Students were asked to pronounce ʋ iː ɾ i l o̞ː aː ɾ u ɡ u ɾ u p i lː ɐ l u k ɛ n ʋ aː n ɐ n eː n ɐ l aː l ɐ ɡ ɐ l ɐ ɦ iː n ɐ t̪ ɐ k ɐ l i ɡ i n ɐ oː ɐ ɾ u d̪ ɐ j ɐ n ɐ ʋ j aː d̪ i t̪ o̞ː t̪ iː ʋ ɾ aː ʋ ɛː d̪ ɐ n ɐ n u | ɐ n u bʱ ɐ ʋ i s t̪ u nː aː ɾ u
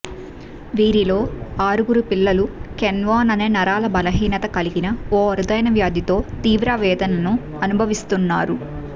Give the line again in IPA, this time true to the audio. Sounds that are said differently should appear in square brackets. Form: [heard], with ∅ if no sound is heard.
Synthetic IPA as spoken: ʋ iː ɾ i l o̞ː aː ɾ u ɡ u ɾ u p i lː ɐ l u k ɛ n ʋ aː n ɐ n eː n ɐ [ɾ] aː l ɐ [b] ɐ l ɐ ɦ iː n ɐ t̪ ɐ k ɐ l i ɡ i n ɐ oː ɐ ɾ u d̪ ɐ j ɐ n ɐ ʋ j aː d̪ i t̪ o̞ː t̪ iː ʋ ɾ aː ʋ ɛː d̪ ɐ n ɐ n u | ɐ n u bʱ ɐ ʋ i s t̪ u nː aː ɾ u